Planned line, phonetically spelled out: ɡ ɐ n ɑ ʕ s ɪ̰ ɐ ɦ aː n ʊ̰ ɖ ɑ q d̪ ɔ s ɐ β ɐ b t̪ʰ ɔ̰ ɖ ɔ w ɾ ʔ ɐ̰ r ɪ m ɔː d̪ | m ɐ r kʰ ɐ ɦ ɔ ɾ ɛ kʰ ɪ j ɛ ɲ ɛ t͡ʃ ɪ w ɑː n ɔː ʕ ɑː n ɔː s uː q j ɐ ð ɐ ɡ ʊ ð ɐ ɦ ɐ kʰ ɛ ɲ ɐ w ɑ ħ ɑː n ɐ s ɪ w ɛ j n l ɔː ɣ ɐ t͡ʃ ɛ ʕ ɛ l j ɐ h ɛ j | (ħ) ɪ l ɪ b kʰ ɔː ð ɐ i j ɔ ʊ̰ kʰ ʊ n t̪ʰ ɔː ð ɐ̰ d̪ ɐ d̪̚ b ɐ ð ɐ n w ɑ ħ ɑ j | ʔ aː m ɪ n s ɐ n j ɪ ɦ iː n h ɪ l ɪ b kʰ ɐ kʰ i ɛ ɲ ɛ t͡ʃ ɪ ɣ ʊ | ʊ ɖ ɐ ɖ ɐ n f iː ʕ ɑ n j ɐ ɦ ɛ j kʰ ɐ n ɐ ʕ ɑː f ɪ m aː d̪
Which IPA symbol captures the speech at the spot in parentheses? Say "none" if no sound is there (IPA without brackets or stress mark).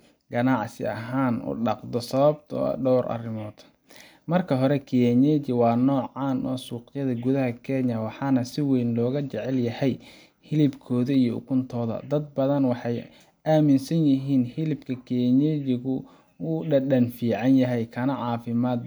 h